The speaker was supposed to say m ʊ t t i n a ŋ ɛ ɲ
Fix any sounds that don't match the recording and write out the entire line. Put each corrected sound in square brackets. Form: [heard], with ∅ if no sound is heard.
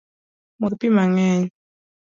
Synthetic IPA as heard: m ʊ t [p] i [m] a ŋ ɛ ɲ

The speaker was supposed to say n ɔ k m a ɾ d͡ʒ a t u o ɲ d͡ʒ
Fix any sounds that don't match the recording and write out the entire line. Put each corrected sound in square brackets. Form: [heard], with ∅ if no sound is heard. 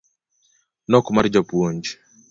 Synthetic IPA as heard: n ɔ k m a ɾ d͡ʒ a [p] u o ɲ d͡ʒ

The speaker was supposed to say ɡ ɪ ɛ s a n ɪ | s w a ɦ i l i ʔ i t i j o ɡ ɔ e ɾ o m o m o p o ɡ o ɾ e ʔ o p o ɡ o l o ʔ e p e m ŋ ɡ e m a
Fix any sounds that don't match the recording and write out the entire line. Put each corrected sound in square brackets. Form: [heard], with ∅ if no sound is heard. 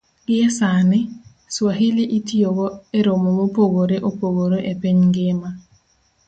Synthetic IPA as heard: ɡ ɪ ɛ s a n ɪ | s w a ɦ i l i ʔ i t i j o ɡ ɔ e ɾ o m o m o p o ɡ o ɾ e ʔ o p o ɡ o [ɾ] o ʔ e p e [ɲ] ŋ ɡ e m a

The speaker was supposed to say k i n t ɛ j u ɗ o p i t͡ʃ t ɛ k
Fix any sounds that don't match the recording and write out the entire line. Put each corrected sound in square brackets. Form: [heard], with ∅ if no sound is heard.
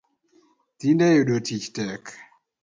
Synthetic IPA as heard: [t] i n [d] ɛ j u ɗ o [t] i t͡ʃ t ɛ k

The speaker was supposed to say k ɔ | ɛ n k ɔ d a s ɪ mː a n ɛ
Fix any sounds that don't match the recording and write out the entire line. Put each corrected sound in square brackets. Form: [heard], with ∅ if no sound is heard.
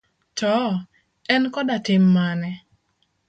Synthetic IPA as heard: [t] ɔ | ɛ n k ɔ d a [t] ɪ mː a n ɛ

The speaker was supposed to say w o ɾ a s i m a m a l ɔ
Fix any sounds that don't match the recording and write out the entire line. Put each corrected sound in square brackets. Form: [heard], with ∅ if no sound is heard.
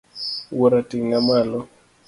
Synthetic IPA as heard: w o ɾ a [t] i [ŋ] a m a l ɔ

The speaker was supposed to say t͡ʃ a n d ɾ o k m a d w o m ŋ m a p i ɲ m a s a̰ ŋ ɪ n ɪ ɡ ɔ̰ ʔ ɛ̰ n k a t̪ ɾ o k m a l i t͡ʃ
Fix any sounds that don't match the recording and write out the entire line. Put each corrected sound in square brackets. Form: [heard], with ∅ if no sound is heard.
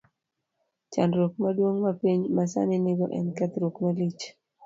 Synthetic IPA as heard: t͡ʃ a n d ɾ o k m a d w o [∅] ŋ m a p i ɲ m a s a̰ [n] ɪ n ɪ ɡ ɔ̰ ʔ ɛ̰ n k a t̪ ɾ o k m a l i t͡ʃ

